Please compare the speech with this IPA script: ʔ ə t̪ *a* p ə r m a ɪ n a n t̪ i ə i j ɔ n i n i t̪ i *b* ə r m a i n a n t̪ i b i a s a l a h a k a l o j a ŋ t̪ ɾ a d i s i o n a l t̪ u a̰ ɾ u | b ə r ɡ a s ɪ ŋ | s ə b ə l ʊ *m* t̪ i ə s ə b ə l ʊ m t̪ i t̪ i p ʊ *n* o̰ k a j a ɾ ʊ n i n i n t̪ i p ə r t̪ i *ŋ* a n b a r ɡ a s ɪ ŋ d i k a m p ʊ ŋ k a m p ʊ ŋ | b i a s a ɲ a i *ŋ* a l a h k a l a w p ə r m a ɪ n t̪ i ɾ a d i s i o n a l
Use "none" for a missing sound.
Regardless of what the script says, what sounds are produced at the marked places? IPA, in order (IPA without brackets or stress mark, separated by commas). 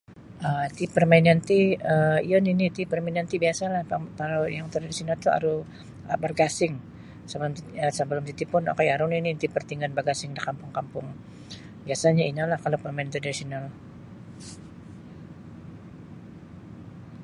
i, p, m, n, ŋ, n